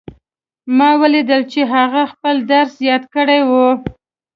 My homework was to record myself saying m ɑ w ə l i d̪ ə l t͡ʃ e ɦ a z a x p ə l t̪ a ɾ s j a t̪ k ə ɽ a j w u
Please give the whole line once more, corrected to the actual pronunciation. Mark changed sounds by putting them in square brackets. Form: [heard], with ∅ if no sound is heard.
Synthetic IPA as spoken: m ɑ w ə l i d̪ ə l t͡ʃ e ɦ a [ɣ] a x p ə l [d̪] a ɾ s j [ɑ] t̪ k ə ɽ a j w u